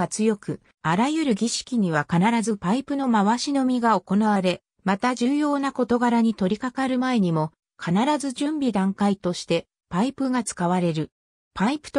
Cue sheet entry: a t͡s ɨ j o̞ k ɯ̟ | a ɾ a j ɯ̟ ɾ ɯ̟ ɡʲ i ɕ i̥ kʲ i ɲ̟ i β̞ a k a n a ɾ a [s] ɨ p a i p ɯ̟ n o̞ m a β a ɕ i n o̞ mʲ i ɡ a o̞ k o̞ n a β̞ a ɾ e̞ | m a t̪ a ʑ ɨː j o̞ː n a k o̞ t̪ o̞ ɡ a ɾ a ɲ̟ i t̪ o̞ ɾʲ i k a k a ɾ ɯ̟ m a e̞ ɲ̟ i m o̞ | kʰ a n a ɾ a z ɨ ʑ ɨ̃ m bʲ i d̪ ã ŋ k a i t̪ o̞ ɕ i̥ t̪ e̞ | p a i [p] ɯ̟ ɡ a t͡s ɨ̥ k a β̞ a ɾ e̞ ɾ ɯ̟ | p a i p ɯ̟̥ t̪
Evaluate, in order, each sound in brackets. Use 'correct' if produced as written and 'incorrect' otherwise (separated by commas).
incorrect, correct